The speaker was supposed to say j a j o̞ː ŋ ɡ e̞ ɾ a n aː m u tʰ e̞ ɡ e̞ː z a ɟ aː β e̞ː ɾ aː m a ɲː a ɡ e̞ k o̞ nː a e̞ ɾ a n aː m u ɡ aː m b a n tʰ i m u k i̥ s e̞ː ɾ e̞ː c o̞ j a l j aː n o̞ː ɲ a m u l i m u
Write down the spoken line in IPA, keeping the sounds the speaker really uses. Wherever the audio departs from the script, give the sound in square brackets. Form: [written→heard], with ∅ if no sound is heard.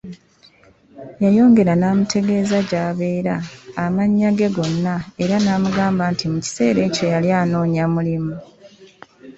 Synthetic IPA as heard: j a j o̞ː ŋ ɡ e̞ ɾ a n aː m u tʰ e̞ ɡ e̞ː z a ɟ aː β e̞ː ɾ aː m a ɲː a ɡ e̞ [k→ɡ] o̞ nː a e̞ ɾ a n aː m u ɡ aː m b a n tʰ i m u [k→c] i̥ s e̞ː ɾ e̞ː c o̞ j a l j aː n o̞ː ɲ a m u l i m u

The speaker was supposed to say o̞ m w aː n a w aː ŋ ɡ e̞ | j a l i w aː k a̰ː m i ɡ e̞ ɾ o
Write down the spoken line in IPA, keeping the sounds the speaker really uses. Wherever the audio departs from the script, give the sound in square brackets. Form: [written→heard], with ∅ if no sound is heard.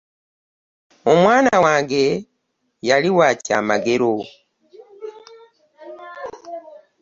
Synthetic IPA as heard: o̞ m w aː n a w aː ŋ ɡ e̞ | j a l i w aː [k→c] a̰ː m [i→a] ɡ e̞ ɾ o

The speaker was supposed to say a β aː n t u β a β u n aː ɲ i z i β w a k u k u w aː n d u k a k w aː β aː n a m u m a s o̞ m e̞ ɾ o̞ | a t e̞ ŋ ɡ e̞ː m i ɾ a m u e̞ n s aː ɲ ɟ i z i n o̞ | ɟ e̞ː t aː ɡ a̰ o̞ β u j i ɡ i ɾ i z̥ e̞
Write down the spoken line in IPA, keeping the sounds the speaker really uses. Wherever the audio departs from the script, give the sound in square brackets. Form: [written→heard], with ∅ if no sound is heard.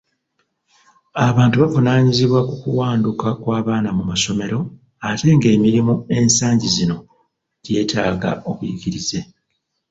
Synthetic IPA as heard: a β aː n t u β a [β→v] u n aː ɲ i z i β w a k u k u w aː n d u k a k w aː β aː n a m u m a s o̞ m e̞ ɾ o̞ | a t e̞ ŋ ɡ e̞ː m i ɾ [a→i] m u e̞ n s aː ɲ ɟ i z i n o̞ | ɟ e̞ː t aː ɡ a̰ o̞ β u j i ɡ i ɾ i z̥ e̞

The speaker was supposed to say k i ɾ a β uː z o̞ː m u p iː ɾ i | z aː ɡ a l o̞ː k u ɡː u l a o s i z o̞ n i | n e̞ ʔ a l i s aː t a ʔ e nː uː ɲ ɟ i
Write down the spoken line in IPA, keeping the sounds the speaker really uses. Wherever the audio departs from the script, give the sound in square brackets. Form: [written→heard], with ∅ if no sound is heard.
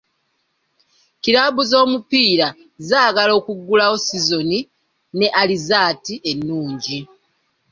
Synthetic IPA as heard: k i ɾ a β [uː→u] z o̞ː m u p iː ɾ [i→a] | z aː ɡ a l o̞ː k u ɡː u l a o s i z o̞ n i | n e̞ ʔ a l i [s→z] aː t [a→i] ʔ e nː uː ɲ ɟ i

